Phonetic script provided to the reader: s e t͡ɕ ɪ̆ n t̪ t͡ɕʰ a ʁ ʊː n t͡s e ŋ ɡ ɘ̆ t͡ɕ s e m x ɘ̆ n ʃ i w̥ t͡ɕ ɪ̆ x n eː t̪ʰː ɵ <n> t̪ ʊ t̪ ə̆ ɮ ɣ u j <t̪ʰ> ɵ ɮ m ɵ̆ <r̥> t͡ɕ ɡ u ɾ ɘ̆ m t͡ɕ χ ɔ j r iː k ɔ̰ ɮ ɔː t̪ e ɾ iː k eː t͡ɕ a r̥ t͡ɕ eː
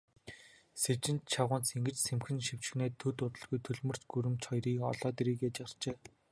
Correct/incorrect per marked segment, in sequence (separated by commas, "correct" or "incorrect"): incorrect, correct, correct